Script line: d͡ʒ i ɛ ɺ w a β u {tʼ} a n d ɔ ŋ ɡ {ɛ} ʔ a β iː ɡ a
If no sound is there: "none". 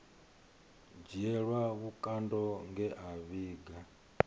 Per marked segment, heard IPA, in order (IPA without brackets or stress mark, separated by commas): kʼ, ɛ